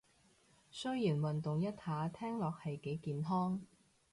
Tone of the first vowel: high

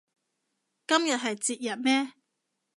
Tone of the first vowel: high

